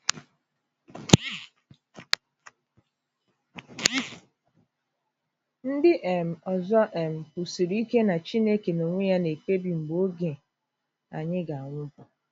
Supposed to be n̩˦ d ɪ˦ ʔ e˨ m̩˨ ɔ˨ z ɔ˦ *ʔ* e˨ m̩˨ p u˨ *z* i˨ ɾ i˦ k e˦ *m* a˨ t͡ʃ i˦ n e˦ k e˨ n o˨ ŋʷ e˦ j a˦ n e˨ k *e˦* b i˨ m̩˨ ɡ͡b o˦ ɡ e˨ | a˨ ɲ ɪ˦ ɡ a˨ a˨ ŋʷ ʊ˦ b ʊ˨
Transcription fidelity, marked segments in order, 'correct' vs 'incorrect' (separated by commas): correct, incorrect, incorrect, correct